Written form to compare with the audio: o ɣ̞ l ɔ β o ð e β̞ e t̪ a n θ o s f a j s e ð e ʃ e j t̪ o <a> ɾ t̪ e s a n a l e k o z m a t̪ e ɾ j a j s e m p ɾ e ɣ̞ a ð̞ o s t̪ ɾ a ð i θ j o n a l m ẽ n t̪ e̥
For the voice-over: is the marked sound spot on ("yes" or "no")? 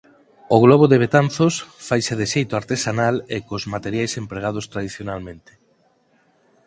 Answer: yes